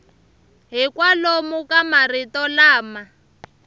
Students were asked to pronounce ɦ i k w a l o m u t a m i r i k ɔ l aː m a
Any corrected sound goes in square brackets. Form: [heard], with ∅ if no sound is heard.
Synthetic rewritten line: ɦ i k w a l o m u [k] a m [a] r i [t] ɔ l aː m a